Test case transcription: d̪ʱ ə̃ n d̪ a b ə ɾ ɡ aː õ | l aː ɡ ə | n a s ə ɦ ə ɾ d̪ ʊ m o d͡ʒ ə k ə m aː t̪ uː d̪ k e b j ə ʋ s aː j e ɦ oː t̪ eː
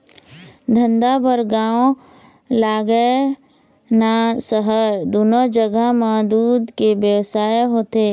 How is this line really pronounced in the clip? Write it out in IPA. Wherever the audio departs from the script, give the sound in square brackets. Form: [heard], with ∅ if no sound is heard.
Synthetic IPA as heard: d̪ʱ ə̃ n d̪ a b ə ɾ ɡ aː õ | l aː ɡ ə | n a s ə ɦ ə ɾ d̪ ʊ [n] o d͡ʒ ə [ɡ] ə m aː [d̪] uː d̪ k e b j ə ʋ s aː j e ɦ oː t̪ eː